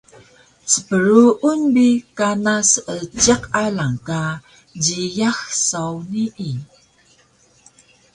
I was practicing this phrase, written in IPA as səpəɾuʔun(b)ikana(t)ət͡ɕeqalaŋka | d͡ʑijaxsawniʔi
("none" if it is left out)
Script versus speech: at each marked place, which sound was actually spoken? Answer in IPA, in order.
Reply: b, s

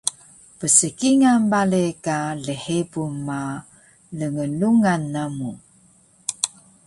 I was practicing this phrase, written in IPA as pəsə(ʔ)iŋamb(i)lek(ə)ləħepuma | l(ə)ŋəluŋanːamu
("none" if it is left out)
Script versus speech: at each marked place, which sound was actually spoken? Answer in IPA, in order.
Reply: k, a, a, ə

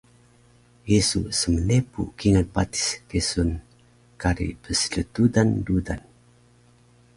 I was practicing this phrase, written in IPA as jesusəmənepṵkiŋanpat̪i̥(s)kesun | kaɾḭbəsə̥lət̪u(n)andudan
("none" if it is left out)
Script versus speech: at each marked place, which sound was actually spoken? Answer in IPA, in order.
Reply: s, d

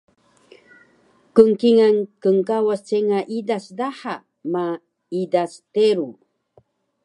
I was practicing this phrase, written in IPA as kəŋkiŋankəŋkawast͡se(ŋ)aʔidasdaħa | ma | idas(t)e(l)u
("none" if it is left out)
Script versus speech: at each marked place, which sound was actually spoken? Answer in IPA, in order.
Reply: ŋ, t, ɾ

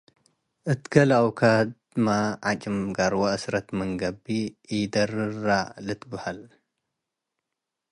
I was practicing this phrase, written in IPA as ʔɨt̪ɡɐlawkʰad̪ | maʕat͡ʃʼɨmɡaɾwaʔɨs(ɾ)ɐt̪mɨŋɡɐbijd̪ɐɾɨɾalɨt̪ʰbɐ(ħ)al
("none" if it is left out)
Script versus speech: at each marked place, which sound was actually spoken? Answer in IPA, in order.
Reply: ɾ, h

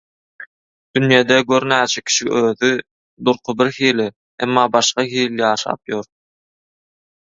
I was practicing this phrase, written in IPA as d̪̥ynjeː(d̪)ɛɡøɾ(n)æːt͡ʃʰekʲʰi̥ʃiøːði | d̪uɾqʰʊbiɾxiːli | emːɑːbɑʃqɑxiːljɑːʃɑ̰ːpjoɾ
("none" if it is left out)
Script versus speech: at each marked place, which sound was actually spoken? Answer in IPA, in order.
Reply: d̪, n

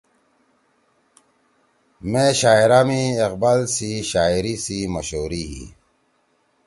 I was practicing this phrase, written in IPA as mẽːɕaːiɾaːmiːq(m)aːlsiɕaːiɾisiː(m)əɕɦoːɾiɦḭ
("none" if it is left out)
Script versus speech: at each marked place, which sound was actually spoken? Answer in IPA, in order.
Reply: b, m

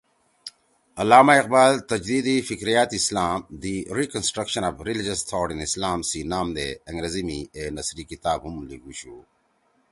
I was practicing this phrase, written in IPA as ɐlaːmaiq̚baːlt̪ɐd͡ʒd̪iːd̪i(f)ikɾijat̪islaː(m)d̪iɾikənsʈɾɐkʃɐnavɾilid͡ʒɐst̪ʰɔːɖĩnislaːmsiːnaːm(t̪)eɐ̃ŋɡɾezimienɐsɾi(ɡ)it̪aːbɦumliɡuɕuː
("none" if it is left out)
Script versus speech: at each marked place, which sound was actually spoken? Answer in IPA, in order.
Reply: f, m, d̪, k

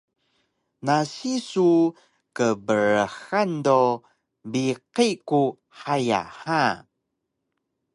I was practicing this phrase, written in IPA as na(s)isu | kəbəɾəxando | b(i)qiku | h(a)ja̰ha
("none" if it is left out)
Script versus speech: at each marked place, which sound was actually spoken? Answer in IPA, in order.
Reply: s, i, a

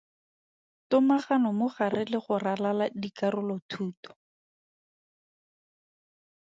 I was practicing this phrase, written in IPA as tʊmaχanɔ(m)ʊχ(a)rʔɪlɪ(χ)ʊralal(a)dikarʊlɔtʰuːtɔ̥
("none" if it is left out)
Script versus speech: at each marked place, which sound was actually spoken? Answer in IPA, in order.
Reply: m, a, χ, a

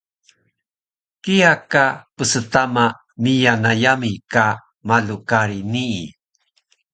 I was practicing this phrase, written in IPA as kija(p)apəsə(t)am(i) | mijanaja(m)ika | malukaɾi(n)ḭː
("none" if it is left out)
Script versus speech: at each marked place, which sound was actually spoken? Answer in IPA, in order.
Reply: k, t, a, m, n

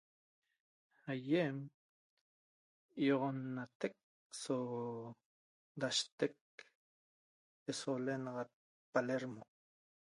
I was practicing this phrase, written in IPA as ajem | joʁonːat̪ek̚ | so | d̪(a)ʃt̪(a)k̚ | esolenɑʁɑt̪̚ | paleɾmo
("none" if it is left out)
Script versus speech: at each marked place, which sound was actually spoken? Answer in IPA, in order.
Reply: a, e

